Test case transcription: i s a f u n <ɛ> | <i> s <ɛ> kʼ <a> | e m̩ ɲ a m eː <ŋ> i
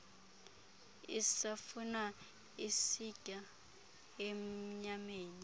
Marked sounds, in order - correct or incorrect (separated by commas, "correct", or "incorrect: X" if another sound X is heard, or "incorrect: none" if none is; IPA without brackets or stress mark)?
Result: incorrect: a, correct, incorrect: i, correct, incorrect: n